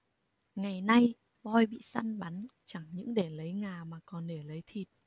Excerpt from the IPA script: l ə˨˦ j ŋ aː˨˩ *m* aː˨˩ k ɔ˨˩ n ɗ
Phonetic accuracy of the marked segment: correct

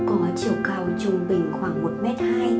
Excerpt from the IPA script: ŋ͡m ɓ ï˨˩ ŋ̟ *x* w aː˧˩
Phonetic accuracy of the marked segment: correct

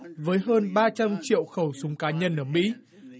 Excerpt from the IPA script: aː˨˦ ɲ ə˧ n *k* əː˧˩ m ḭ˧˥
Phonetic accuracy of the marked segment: incorrect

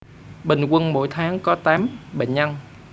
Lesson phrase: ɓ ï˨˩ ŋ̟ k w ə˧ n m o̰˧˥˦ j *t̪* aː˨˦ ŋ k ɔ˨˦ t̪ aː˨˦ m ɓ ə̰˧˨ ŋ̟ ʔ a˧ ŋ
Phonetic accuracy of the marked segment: incorrect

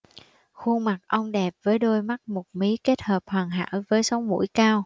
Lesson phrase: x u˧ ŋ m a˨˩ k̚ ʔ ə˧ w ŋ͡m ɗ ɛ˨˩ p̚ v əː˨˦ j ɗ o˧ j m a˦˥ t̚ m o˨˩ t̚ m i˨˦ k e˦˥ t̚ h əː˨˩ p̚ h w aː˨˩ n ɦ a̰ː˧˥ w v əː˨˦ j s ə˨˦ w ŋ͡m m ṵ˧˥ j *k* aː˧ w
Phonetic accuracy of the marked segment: correct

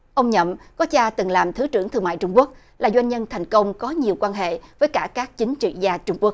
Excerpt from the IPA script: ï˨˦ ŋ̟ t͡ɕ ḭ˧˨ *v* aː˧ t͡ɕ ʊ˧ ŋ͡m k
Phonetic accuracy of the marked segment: incorrect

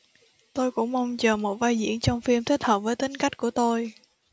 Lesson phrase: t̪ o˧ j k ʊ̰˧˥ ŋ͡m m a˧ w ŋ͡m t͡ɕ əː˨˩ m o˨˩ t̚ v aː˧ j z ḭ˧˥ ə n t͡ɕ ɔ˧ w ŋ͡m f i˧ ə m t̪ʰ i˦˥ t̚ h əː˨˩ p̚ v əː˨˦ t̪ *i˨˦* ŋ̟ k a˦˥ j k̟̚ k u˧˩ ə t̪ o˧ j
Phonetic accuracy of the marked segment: correct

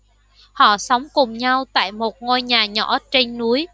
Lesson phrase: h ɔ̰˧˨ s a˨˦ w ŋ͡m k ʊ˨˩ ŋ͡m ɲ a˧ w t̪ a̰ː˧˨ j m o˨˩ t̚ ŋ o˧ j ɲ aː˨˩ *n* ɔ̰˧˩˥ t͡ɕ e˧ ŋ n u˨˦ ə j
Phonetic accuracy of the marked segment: incorrect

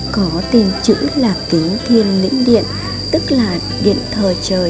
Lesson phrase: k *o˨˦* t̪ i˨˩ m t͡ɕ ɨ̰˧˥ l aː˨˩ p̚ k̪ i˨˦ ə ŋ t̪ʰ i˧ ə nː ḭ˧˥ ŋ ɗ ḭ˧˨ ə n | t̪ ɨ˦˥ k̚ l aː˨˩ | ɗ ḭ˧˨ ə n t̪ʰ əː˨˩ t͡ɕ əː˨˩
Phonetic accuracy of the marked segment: incorrect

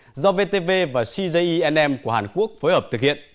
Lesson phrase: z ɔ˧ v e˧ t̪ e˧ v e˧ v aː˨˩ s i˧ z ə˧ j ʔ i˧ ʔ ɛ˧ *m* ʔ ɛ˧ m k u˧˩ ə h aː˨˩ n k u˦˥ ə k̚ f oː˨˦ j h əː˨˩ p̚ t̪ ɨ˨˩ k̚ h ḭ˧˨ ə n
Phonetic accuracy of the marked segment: incorrect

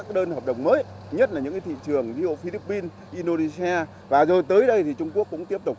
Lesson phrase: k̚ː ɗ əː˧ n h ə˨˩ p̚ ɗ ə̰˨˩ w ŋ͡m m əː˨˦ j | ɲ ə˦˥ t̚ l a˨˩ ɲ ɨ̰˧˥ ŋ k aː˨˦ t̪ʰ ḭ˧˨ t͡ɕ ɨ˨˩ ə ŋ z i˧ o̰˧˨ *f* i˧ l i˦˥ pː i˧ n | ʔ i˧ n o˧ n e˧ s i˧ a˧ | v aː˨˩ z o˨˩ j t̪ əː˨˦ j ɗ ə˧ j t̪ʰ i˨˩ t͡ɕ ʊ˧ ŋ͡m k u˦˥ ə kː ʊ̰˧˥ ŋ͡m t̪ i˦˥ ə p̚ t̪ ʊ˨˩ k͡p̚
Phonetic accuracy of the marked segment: correct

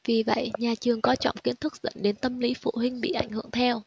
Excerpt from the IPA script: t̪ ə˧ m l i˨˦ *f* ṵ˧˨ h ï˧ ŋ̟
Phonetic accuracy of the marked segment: correct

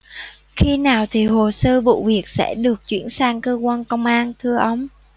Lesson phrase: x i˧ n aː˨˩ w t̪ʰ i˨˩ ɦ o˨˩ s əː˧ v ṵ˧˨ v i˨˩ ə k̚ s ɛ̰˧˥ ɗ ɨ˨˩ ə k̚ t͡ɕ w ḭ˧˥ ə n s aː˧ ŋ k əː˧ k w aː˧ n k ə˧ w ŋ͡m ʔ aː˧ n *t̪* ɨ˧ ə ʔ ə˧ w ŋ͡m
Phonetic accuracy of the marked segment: incorrect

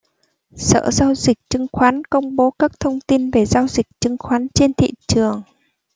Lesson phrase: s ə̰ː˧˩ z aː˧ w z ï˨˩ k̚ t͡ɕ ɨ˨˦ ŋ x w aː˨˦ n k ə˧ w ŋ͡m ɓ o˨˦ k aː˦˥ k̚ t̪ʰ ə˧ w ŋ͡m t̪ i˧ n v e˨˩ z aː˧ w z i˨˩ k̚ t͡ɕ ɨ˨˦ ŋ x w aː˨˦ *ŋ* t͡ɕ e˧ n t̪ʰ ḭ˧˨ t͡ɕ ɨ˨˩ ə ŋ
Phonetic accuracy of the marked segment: incorrect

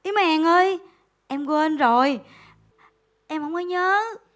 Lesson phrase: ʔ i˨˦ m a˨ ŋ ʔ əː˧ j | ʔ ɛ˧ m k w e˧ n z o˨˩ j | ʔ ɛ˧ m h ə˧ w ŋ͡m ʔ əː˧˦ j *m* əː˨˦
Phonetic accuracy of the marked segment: incorrect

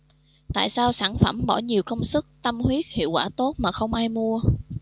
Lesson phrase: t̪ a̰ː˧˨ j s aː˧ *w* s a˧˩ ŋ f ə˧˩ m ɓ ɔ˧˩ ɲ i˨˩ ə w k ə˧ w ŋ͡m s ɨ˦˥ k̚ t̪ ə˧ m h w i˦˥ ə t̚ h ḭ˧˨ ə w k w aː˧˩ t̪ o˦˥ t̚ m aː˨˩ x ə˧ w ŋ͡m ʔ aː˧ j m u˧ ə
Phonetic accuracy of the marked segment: correct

